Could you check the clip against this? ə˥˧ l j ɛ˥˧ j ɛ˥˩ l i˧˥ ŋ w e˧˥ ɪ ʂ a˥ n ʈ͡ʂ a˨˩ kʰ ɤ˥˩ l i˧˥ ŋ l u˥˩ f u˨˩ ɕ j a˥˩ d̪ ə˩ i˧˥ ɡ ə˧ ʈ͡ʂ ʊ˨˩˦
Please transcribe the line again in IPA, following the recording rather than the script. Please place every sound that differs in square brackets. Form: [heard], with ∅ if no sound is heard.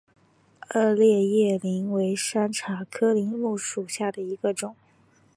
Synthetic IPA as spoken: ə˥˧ l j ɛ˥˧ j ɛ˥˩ l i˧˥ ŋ w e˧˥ ɪ ʂ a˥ n [ʈ͡ʂʰ] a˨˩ kʰ [ɤ˥] l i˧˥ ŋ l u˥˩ [ʂ] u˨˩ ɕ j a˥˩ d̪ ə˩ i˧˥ ɡ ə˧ ʈ͡ʂ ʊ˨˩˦